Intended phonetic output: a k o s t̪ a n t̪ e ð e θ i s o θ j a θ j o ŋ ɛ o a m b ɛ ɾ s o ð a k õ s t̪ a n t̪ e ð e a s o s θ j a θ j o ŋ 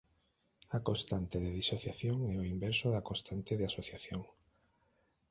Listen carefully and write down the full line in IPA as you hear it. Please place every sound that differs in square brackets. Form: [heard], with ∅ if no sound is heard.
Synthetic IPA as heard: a k o s t̪ a n t̪ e ð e [ð] i s o θ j a θ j o ŋ ɛ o [i] m b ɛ ɾ s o ð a k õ s t̪ a n t̪ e ð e a s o [∅] θ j a θ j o ŋ